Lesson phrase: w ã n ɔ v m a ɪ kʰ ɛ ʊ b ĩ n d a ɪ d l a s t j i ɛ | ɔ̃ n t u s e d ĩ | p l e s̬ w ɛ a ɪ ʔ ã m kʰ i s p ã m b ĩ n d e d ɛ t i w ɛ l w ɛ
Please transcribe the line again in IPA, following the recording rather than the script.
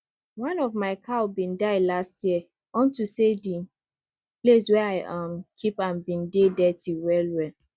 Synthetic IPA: w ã n ɔ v m a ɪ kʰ a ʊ b ĩ n d a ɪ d l a s t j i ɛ | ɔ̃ n t u s e d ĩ | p l e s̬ w ɛ a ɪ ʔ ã m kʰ i p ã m b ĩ n d e d ɛ t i w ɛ l w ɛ